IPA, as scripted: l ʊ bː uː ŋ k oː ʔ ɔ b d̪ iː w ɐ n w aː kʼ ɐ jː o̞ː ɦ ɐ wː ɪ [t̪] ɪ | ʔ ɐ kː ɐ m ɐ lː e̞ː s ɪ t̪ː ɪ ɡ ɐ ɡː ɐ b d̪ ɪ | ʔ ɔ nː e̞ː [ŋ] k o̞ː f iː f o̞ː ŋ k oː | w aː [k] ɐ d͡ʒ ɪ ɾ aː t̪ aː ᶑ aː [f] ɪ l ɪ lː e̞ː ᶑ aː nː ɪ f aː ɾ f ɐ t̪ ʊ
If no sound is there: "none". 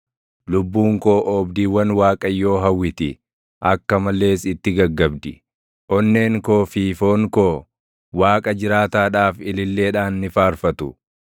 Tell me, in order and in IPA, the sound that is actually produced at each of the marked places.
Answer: t̪, ŋ, kʼ, f

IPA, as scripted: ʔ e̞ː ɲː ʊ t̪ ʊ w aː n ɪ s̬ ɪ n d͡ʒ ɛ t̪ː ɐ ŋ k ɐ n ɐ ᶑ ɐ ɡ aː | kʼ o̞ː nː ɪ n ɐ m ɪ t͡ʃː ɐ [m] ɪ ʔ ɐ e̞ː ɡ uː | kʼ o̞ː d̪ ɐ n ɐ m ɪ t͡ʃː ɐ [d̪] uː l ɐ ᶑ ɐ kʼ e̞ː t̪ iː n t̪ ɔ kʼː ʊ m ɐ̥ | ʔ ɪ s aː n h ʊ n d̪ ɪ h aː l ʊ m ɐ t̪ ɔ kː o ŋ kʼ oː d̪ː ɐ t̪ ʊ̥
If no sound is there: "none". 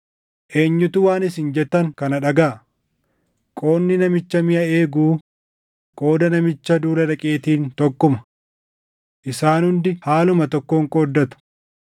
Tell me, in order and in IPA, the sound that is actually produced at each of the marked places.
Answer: m, d̪

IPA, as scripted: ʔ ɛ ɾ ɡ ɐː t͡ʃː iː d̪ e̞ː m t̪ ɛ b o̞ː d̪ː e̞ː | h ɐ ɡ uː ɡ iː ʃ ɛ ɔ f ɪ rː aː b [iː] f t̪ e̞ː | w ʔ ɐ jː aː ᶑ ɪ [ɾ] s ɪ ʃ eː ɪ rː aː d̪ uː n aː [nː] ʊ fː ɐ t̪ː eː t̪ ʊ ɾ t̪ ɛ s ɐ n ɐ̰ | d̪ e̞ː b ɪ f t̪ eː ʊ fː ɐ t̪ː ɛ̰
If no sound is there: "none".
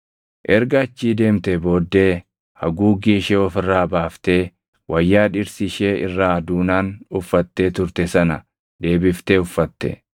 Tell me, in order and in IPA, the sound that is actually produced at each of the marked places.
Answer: aː, ɾ, n

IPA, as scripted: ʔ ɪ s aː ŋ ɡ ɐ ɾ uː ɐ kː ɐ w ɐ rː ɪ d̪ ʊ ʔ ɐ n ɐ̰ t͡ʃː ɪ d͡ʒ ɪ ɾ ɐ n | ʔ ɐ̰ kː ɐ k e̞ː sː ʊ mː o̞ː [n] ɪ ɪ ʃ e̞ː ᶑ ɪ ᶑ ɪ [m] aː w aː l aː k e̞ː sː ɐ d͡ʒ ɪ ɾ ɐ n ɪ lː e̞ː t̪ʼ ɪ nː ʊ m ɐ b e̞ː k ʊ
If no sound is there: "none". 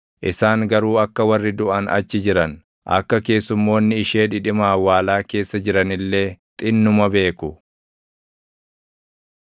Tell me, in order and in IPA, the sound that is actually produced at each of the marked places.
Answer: nː, m

